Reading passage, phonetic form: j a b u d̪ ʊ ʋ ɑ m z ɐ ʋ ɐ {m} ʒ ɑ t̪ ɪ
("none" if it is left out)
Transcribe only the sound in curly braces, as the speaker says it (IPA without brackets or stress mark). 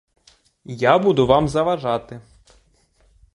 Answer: none